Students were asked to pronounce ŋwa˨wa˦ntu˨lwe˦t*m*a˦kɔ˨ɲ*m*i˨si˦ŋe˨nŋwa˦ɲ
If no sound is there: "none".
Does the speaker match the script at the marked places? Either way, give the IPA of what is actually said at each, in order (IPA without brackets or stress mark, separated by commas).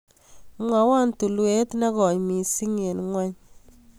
n, m